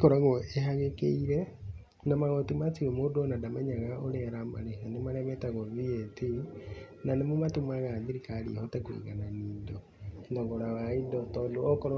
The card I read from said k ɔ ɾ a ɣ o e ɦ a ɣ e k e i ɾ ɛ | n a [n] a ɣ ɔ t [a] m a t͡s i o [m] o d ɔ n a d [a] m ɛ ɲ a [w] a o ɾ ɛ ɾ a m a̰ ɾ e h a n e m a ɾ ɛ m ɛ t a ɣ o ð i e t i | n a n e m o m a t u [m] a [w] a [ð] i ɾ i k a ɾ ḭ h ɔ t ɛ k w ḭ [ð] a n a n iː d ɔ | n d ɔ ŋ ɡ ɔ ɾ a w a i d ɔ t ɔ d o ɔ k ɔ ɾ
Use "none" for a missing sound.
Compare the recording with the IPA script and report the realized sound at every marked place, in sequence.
m, i, m, a, ɣ, m, ɣ, ð, ɣ

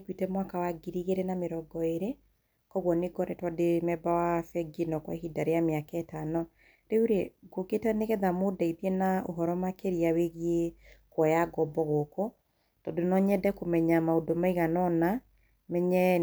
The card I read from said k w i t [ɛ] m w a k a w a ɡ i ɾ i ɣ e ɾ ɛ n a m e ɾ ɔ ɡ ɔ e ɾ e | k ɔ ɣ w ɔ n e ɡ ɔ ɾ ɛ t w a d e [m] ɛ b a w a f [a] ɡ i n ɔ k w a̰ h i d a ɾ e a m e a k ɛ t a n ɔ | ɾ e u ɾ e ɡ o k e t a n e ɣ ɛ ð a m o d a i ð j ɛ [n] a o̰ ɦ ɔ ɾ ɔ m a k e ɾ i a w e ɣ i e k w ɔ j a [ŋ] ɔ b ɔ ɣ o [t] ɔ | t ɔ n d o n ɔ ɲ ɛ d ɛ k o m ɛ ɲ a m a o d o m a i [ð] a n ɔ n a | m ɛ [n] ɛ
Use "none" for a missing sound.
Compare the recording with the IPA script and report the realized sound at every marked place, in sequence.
ɛ, m, ɛ, n, ɡ, k, ɣ, ɲ

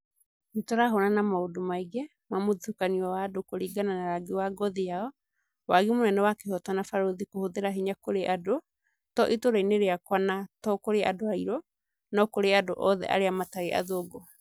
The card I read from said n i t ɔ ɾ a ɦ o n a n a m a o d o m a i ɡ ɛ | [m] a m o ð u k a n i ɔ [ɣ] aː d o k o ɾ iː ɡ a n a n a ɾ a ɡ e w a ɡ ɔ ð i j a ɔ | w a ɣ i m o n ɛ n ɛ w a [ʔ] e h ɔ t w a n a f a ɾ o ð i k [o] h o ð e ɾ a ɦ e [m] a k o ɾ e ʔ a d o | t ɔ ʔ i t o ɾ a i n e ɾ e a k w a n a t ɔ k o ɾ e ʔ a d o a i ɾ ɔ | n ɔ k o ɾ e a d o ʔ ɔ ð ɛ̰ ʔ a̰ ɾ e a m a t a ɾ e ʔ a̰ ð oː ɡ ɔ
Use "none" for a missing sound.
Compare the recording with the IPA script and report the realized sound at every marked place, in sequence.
m, w, k, o, ɲ

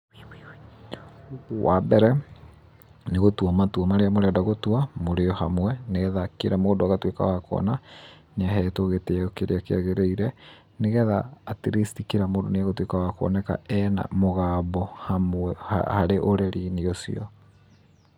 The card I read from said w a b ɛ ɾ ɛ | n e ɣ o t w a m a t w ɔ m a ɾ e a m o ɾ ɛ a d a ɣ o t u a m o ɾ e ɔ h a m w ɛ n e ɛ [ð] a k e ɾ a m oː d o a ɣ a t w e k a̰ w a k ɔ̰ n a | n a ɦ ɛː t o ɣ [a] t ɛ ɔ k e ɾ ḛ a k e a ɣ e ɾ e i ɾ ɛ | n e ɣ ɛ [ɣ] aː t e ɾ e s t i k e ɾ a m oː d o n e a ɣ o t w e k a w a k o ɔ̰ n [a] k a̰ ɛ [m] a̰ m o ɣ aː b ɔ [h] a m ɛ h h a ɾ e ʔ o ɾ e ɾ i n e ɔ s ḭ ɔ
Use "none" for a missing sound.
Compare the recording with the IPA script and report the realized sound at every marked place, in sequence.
ð, e, ð, ɛ, n, h

